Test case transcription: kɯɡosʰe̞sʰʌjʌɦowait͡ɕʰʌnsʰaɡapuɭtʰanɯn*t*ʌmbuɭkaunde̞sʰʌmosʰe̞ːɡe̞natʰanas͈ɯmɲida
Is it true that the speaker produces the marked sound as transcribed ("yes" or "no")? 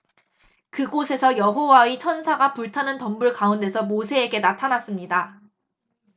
yes